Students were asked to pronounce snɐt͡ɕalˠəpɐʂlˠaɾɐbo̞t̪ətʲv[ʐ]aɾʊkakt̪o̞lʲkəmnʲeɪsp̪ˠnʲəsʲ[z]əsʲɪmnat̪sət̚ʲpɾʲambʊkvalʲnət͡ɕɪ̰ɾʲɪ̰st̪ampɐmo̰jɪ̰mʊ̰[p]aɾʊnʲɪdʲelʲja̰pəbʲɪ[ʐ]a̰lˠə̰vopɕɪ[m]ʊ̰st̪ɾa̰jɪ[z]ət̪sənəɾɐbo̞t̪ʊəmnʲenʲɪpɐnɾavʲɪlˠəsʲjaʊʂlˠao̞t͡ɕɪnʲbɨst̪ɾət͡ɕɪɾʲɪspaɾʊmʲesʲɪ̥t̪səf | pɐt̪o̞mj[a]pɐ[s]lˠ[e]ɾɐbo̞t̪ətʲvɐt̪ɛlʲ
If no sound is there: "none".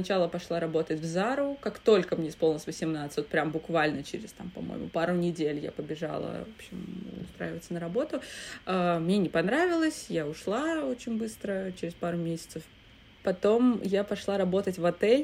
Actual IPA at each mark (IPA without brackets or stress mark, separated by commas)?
z, v, p, ʐ, m, v, a, ʂ, a